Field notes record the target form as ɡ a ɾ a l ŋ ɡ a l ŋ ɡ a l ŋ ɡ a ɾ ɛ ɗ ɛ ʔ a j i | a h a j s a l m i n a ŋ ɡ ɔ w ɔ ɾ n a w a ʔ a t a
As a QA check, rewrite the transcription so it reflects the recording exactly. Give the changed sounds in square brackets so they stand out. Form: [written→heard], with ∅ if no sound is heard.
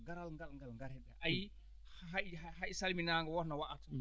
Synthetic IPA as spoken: ɡ a ɾ a l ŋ ɡ a l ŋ ɡ a l ŋ ɡ a ɾ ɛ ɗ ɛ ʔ a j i | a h a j s a l m i n a ŋ ɡ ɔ w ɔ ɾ n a w a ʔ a t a